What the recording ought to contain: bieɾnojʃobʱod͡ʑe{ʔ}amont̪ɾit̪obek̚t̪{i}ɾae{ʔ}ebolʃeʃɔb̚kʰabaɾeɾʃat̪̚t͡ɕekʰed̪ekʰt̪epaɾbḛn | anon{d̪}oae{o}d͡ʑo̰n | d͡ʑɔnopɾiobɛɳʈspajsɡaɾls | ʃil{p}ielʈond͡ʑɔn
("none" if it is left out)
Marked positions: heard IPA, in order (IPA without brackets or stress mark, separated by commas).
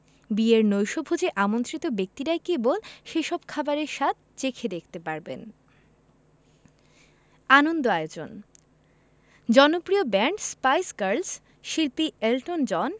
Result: ʔ, i, k, d̪, o, p